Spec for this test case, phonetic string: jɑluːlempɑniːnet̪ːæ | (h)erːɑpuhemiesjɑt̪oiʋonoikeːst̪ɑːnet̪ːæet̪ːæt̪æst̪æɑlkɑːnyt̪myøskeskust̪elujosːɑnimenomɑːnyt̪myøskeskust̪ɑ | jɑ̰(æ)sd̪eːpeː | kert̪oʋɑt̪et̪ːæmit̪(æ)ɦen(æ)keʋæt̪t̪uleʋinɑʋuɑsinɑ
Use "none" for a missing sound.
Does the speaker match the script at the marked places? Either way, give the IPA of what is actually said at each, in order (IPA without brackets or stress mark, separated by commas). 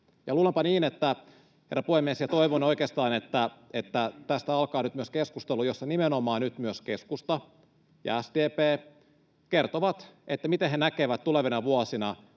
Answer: h, æ, e, æ